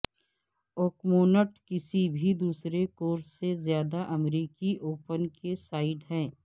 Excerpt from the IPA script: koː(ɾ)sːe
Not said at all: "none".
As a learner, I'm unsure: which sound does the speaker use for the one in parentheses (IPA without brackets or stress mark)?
ɾ